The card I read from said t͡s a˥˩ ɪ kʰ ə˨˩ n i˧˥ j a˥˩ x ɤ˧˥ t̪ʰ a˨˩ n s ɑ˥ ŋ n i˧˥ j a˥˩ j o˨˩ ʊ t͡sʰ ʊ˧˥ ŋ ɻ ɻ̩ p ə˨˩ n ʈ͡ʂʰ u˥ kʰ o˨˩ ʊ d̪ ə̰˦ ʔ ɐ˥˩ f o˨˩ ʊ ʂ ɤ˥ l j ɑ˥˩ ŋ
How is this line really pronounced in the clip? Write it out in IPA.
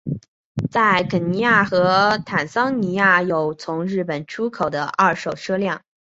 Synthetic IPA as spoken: t͡s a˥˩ ɪ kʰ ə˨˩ n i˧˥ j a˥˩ x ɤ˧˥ t̪ʰ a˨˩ n s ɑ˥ ŋ n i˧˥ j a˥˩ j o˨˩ ʊ t͡sʰ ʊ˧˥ ŋ ɻ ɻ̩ p ə˨˩ n ʈ͡ʂʰ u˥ kʰ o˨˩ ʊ d̪ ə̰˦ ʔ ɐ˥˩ ʂ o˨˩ ʊ ʂ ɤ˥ l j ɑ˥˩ ŋ